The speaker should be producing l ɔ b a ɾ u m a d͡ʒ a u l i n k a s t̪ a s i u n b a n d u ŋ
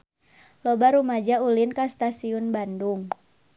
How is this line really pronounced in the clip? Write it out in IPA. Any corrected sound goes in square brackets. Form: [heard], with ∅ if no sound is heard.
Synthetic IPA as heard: l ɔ b a ɾ u m a d͡ʒ a u l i n k a s t̪ a s i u n b a n d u ŋ